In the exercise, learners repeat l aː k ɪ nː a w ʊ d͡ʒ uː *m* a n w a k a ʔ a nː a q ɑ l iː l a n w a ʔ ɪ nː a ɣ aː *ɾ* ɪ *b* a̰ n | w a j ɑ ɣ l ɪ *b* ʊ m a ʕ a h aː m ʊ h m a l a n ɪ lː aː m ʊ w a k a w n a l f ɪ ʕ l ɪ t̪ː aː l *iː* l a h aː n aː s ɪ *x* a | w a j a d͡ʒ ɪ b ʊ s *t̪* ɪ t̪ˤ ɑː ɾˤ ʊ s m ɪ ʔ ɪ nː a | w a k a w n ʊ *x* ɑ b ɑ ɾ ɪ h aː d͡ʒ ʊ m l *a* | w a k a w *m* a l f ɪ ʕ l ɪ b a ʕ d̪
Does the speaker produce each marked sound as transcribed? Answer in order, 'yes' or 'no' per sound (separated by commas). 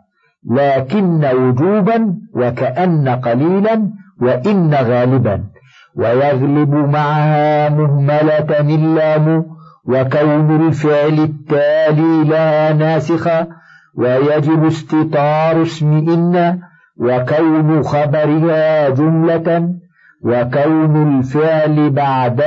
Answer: no, no, yes, yes, yes, yes, yes, yes, yes, no